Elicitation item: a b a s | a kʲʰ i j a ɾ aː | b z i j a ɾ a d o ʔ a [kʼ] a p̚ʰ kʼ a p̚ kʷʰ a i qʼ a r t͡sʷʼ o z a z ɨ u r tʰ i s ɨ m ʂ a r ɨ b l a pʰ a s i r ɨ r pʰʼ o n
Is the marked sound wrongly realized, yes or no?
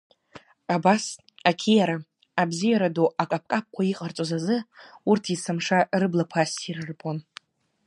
no